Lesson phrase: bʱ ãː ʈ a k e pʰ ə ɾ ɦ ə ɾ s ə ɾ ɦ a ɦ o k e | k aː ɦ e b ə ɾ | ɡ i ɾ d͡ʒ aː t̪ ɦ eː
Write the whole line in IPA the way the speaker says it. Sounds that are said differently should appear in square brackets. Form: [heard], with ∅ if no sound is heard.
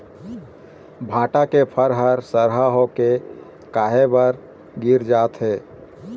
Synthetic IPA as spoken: bʱ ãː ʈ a k e pʰ ə ɾ ɦ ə ɾ s ə ɾ ɦ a ɦ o k e | k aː ɦ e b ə ɾ | ɡ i ɾ d͡ʒ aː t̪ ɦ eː